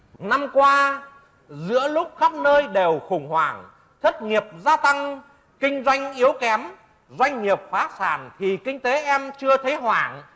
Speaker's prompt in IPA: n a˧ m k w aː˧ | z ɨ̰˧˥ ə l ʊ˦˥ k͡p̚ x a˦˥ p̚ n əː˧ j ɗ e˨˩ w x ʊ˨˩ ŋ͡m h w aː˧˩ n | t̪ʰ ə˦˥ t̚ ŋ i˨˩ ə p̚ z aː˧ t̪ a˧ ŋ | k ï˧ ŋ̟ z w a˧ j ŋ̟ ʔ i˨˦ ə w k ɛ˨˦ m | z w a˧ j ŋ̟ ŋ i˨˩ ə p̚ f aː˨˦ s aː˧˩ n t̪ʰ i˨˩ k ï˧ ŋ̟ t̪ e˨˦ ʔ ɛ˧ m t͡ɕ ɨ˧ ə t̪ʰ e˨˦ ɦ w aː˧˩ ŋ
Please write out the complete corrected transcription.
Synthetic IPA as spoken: n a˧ m k w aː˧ | z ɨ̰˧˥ ə l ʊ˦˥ k͡p̚ x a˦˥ p̚ n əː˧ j ɗ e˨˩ w x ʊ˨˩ ŋ͡m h w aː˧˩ ŋ | t̪ʰ ə˦˥ t̚ ŋ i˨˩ ə p̚ z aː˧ t̪ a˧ ŋ | k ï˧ ŋ̟ z w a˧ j ŋ̟ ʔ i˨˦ ə w k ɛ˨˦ m | z w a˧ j ŋ̟ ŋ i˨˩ ə p̚ f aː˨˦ s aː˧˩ n t̪ʰ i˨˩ k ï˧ ŋ̟ t̪ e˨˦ ʔ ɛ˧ m t͡ɕ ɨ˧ ə t̪ʰ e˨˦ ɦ w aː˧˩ ŋ

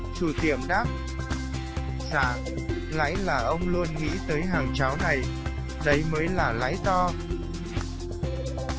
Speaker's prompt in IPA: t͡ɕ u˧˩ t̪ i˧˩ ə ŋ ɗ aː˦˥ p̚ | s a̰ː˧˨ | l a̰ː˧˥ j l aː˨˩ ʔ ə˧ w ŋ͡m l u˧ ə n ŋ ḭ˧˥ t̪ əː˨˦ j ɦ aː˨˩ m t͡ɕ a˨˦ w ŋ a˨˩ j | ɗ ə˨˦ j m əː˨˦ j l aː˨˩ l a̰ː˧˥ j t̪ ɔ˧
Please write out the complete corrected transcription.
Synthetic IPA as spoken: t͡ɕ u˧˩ t̪ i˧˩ ə m ɗ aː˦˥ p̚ | s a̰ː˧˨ | l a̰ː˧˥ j l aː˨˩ ʔ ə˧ w ŋ͡m l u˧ ə n ŋ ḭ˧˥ t̪ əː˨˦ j ɦ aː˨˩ ŋ t͡ɕ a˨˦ w n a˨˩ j | ɗ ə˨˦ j m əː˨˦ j l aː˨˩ l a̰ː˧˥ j t̪ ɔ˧

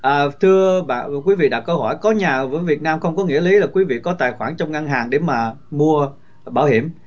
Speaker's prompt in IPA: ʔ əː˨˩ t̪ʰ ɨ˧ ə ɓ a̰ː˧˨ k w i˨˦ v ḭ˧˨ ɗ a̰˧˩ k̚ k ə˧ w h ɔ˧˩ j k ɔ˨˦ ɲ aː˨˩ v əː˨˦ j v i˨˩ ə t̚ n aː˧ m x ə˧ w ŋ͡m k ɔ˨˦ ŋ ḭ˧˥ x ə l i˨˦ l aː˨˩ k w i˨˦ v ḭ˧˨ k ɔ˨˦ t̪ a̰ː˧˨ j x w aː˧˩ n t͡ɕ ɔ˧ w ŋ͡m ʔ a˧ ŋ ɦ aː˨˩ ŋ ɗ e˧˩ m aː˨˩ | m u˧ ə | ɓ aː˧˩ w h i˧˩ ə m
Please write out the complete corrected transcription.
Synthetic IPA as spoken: ʔ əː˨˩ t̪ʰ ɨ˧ ə ɓ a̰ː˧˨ k w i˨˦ v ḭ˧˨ ɗ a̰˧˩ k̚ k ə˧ w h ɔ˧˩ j k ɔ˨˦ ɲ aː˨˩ v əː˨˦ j v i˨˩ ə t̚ n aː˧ m x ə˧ w ŋ͡m k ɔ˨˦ ŋ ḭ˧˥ ə l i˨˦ l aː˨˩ k w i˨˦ v ḭ˧˨ k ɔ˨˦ t̪ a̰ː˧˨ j x w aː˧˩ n t͡ɕ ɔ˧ w ŋ͡m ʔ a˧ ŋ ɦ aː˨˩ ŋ ɗ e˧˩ m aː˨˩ | m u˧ ə | ɓ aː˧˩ w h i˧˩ ə m

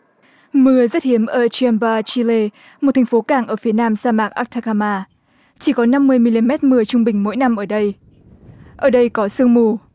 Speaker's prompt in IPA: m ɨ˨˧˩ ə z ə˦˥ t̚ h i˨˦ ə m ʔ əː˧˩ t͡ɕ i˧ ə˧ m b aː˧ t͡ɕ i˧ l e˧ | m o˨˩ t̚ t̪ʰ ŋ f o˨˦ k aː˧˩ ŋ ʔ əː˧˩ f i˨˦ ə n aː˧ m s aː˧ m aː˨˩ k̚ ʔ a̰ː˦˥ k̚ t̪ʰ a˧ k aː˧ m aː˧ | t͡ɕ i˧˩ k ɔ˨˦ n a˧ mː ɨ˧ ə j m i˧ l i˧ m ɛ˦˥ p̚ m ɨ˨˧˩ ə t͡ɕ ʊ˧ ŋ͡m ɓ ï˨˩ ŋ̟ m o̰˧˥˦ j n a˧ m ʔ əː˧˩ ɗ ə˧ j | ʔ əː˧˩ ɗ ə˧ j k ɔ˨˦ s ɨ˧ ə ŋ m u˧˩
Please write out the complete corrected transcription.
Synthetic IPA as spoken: m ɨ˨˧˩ ə z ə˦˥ t̚ h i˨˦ ə m ʔ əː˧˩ t͡ɕ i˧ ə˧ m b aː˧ t͡ɕ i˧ l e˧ | m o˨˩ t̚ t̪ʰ ŋ f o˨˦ k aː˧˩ ŋ ʔ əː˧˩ f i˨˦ ə n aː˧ m s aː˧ m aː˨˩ k̚ ʔ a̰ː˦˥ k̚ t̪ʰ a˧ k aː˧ m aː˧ | t͡ɕ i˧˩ k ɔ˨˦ n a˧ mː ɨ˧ ə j m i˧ l i˧ m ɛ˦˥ t̚ m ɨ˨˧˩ ə t͡ɕ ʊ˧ ŋ͡m ɓ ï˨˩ ŋ̟ m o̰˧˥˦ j n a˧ m ʔ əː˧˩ ɗ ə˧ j | ʔ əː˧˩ ɗ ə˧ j k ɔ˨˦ s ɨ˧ ə ŋ m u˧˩

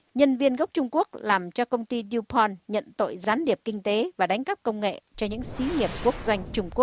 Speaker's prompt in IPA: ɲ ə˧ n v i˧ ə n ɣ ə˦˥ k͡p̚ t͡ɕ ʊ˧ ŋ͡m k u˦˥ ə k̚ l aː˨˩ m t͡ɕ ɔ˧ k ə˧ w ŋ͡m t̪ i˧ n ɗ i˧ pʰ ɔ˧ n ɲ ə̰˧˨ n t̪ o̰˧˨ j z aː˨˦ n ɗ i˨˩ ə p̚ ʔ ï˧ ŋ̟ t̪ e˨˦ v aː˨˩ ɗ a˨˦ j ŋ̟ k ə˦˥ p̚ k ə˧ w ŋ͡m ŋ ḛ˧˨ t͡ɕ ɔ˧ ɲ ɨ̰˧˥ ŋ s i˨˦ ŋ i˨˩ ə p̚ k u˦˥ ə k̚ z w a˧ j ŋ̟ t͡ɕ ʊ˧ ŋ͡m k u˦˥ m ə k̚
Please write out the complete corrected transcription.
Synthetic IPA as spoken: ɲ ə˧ n v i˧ ə n ɣ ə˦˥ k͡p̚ t͡ɕ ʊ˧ ŋ͡m k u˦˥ ə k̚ l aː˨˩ m t͡ɕ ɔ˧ k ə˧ w ŋ͡m t̪ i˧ ɗ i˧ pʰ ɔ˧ n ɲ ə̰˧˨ n t̪ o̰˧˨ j z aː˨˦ n ɗ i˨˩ ə p̚ k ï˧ ŋ̟ t̪ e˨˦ v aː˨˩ ɗ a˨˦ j ŋ̟ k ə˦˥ p̚ k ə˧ w ŋ͡m ŋ ḛ˧˨ t͡ɕ ɔ˧ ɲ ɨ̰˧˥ ŋ s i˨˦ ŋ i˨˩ ə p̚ k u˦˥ ə k̚ z w a˧ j ŋ̟ t͡ɕ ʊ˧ ŋ͡m k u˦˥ ə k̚

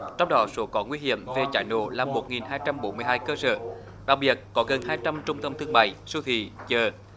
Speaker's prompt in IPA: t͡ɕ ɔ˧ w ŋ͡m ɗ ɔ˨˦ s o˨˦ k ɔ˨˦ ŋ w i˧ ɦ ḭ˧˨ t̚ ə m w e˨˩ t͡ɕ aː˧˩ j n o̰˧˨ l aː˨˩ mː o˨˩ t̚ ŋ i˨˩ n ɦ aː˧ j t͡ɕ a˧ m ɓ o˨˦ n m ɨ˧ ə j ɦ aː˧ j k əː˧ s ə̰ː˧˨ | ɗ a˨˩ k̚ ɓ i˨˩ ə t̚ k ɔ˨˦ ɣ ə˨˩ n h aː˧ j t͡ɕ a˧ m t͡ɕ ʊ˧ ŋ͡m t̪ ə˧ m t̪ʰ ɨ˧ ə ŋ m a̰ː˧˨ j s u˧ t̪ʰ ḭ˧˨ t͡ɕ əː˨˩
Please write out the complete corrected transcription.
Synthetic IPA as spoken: t͡ɕ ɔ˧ w ŋ͡m ɗ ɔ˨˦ s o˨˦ k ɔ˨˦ ŋ w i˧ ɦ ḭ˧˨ ə m v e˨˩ t͡ɕ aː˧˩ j n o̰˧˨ l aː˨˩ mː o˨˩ t̚ ŋ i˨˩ n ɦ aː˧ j t͡ɕ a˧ m ɓ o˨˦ n m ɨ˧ ə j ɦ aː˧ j k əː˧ s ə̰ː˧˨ | ɗ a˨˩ k̚ ɓ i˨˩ ə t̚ k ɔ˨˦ ɣ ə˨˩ n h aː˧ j t͡ɕ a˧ m t͡ɕ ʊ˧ ŋ͡m t̪ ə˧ m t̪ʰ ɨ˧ ə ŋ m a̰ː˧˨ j s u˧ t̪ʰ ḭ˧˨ t͡ɕ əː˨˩

